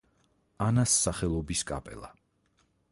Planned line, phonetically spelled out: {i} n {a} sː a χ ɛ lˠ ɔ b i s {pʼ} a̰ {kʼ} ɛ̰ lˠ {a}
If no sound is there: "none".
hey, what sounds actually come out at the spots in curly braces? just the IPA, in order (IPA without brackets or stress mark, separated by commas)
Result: a, a, kʼ, pʼ, a